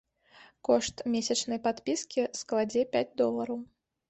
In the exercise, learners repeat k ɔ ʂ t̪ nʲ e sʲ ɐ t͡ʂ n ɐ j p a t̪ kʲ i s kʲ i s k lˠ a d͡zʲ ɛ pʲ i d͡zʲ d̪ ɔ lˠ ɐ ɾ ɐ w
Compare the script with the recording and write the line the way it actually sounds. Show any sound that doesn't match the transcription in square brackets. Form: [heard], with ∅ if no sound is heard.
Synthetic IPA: k ɔ ʂ t̪ [mʲ] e sʲ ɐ t͡ʂ n ɐ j p a t̪ [pʲ] i s kʲ i s k lˠ a d͡zʲ ɛ pʲ [a] d͡zʲ d̪ ɔ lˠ ɐ ɾ ɐ w